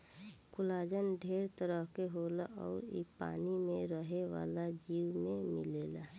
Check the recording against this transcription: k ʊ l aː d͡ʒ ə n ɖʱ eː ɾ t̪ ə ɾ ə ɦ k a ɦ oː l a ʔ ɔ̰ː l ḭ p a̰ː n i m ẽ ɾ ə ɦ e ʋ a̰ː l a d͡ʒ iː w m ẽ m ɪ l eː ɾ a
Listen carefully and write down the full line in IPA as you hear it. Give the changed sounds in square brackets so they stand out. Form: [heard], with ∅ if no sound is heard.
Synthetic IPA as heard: k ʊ l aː d͡ʒ ə n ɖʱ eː ɾ t̪ ə ɾ ə ɦ k [e] ɦ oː l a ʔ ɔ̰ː [ɾ] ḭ p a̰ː n i m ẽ ɾ ə ɦ e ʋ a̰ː l a d͡ʒ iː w m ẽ m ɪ l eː [l] a